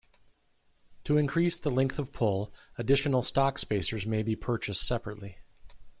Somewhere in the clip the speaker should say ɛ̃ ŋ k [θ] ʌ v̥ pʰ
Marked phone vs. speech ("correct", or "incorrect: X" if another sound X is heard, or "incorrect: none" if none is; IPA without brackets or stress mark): correct